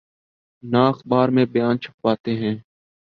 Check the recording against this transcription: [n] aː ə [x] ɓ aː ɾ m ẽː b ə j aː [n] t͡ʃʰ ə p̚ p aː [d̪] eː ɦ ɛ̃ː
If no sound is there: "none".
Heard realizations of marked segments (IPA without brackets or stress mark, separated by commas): n, x, n, t̪